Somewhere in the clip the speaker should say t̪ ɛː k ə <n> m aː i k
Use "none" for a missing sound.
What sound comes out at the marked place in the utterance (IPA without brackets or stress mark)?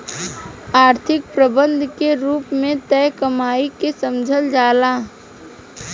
none